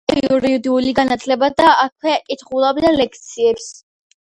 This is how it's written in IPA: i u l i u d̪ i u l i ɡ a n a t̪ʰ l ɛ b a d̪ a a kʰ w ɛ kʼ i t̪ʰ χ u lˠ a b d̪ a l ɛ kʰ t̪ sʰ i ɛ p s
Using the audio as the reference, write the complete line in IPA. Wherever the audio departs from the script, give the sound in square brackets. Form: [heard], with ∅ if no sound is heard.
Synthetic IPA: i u [ɾ] i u d̪ i u l i ɡ a n a t̪ʰ l ɛ b a d̪ a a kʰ w ɛ kʼ i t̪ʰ χ u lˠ a b d̪ a l ɛ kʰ t̪ sʰ i ɛ p s

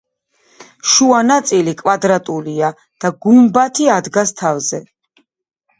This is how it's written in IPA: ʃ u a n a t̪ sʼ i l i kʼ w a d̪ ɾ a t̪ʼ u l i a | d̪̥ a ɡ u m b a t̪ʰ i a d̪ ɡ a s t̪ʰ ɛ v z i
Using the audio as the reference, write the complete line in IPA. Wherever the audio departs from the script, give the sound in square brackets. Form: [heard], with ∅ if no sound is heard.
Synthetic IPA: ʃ u a n a t̪ sʼ i l i kʼ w a d̪ ɾ a t̪ʼ u l i a | d̪̥ a ɡ u m b a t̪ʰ i a d̪ ɡ a s t̪ʰ [a] v z [ɛ]

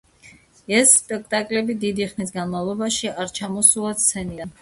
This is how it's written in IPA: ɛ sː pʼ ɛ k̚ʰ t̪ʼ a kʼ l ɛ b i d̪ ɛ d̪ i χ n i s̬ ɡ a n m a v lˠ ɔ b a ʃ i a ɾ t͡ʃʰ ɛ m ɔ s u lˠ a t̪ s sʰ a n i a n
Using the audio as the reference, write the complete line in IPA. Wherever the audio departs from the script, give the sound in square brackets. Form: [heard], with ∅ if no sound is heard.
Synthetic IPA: ɛ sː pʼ ɛ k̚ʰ t̪ʼ a kʼ l ɛ b i d̪ [i] d̪ i χ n i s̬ ɡ a n m a v lˠ ɔ b a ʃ i a ɾ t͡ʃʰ [a] m ɔ s u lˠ a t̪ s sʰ [ɛ] n i a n

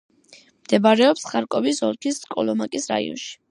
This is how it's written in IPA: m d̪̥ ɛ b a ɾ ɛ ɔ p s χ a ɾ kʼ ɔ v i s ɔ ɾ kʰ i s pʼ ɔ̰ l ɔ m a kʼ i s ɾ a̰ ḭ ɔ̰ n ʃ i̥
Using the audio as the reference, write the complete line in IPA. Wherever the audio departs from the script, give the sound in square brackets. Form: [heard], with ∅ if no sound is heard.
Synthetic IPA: m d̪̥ ɛ b a ɾ ɛ ɔ p s χ a ɾ kʼ ɔ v i s ɔ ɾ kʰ i s [kʼ] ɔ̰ l ɔ m a kʼ i s ɾ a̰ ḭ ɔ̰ n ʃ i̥

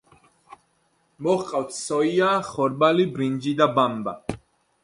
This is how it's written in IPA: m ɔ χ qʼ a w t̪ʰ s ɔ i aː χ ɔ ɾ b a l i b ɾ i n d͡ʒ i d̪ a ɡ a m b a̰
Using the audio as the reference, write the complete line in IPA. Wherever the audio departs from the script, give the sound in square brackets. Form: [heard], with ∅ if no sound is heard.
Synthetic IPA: m ɔ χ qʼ a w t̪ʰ s ɔ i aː χ ɔ ɾ b a l i b ɾ i n d͡ʒ i d̪ a [b] a m b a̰

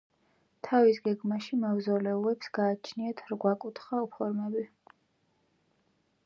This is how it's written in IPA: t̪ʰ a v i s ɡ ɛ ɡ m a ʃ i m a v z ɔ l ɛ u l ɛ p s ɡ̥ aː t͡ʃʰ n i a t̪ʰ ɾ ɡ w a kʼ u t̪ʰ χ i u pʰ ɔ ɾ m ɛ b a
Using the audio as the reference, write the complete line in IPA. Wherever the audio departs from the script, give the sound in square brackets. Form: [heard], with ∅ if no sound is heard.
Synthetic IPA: t̪ʰ a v i s ɡ ɛ ɡ m a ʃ i m a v z ɔ l ɛ u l ɛ p s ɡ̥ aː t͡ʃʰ n i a t̪ʰ ɾ ɡ w a kʼ u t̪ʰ χ [a] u pʰ ɔ ɾ m ɛ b [i]

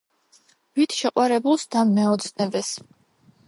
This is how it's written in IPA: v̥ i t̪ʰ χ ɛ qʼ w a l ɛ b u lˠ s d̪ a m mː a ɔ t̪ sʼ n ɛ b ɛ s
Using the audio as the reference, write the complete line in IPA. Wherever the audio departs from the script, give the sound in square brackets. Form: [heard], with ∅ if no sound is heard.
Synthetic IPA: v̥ i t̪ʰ [ʃ] ɛ qʼ w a [ɾ] ɛ b u lˠ s d̪ a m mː [ɛ] ɔ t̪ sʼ n ɛ b ɛ s

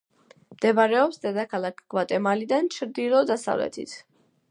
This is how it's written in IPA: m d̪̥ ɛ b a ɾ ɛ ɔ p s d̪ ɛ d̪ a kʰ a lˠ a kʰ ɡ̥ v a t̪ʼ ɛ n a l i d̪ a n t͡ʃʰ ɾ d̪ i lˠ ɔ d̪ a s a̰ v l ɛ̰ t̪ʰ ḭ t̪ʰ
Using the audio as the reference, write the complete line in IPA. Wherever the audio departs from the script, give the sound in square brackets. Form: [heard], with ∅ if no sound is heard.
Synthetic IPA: m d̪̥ ɛ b a ɾ ɛ ɔ p s d̪ ɛ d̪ a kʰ a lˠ a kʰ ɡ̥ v a t̪ʼ ɛ [m] a l i d̪ a n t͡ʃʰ ɾ d̪ i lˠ ɔ d̪ a s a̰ v l ɛ̰ t̪ʰ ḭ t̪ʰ

